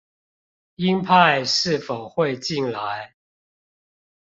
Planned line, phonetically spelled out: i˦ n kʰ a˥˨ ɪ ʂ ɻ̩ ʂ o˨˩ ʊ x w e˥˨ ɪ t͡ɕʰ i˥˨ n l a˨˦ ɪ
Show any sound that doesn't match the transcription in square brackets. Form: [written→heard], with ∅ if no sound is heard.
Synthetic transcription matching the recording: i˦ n [kʰ→pʰ] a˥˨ ɪ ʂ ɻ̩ [ʂ→f] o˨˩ ʊ x w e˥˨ ɪ [t͡ɕʰ→t͡ɕ] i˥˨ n l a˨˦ ɪ